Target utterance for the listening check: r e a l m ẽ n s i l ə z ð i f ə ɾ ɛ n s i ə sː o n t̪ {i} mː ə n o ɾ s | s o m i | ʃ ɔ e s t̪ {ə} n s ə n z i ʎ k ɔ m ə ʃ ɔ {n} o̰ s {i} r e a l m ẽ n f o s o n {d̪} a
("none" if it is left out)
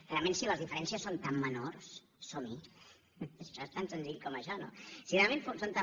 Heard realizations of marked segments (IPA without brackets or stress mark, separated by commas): a, a, n, i, t̪